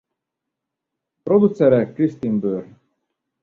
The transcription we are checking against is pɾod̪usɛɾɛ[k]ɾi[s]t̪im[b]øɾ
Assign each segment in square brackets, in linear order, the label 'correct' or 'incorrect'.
correct, correct, correct

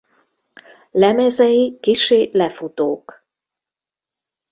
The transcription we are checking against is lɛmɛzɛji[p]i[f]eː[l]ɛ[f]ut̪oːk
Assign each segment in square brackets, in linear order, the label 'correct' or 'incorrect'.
incorrect, incorrect, correct, correct

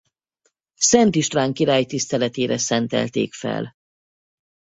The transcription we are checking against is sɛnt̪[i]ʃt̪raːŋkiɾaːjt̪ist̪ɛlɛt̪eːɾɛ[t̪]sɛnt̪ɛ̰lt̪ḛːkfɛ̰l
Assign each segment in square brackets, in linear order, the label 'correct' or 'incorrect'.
correct, incorrect

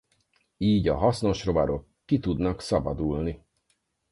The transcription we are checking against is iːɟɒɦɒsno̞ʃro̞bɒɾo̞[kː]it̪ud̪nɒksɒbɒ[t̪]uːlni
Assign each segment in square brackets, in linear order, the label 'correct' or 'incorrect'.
correct, incorrect

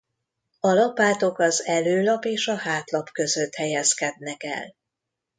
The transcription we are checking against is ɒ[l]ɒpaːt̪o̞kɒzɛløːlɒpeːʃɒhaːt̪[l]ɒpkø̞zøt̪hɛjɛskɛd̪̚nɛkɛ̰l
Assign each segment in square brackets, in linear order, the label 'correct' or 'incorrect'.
correct, correct

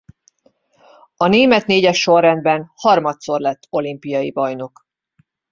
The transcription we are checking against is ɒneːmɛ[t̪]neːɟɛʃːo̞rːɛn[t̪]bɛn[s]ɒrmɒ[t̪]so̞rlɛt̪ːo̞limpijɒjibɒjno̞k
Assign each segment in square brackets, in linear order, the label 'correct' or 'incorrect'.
correct, incorrect, incorrect, correct

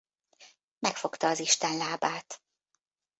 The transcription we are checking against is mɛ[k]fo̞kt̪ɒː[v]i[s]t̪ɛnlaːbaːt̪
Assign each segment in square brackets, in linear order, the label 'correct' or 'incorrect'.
correct, incorrect, incorrect

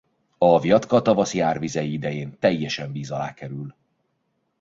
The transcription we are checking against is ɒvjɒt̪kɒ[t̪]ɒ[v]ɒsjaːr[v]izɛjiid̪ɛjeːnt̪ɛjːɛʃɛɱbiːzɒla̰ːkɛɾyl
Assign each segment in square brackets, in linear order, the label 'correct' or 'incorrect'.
correct, correct, correct

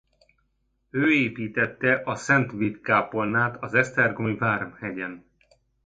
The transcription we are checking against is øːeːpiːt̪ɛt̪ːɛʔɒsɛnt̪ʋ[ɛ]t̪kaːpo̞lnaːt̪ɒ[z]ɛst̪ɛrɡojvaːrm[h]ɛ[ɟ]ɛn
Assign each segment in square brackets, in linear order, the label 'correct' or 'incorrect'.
incorrect, correct, correct, correct

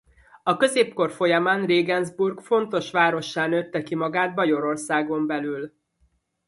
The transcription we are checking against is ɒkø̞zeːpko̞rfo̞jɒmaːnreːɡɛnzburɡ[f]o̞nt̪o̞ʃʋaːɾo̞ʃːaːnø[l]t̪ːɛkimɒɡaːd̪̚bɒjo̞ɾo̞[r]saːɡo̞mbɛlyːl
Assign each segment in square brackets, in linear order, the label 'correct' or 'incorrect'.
correct, incorrect, correct

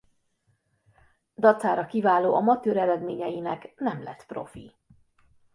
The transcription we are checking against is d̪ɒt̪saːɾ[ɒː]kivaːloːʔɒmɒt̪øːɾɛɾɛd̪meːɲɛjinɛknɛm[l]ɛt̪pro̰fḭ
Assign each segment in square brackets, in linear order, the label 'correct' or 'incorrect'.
incorrect, correct

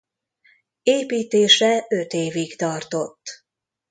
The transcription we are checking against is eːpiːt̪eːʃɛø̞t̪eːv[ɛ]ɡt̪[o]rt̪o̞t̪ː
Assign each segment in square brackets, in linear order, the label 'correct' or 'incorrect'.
incorrect, incorrect

